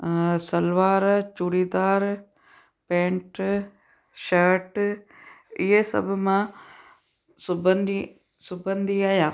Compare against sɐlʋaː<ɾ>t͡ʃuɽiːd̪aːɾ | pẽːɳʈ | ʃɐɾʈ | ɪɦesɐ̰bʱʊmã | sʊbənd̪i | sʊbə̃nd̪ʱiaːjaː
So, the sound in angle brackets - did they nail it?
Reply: yes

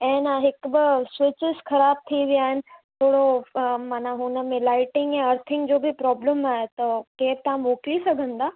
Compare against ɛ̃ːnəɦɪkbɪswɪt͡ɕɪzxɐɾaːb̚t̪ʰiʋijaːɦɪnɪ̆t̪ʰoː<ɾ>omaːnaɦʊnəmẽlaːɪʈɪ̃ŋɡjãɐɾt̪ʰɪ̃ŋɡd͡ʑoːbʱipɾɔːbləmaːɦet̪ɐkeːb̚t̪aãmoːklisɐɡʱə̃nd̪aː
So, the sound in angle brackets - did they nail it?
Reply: no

